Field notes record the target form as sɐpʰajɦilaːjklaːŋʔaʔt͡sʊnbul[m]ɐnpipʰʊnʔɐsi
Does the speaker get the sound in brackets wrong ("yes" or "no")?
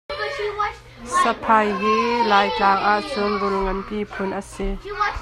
yes